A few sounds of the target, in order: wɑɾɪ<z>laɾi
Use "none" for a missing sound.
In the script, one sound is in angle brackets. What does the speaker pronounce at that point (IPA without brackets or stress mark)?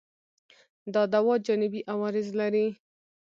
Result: z